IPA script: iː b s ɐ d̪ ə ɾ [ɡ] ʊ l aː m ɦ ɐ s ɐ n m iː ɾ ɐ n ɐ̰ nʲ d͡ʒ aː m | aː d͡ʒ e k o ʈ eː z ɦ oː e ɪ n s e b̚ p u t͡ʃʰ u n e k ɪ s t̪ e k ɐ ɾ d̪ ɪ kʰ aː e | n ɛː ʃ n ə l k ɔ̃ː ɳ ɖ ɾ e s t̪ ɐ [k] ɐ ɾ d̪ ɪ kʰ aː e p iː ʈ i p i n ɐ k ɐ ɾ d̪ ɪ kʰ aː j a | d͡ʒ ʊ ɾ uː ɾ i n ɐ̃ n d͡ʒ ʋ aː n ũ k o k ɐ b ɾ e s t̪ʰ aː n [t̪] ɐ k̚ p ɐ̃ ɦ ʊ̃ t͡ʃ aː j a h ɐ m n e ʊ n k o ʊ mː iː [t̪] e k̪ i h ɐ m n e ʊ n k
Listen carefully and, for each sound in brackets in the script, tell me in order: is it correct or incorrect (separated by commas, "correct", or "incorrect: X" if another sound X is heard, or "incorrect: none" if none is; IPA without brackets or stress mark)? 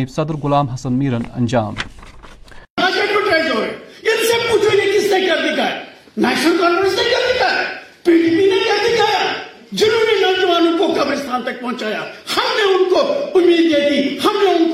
correct, correct, correct, incorrect: d̪